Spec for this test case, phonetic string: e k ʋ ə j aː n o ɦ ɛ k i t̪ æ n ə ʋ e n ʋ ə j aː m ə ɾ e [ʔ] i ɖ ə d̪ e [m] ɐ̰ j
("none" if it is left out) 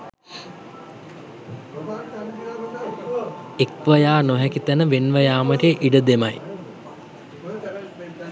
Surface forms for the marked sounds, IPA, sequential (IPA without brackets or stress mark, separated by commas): ʔ, m